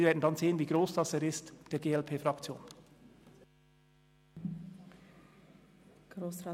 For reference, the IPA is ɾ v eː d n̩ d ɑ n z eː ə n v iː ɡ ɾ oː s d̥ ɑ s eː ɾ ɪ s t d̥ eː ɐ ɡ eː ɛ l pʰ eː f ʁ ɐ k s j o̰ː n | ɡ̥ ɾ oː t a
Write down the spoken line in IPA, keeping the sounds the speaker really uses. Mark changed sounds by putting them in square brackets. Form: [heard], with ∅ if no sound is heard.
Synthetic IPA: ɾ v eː d n̩ d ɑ n z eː ə n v iː ɡ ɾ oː s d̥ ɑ s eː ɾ ɪ s t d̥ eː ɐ ɡ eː ɛ l pʰ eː f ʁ [ɑ] k [t͡s] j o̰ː n | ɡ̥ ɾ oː [s] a